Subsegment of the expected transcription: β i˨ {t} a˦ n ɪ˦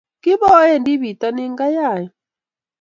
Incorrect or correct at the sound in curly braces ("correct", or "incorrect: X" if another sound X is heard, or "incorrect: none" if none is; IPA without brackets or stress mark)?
correct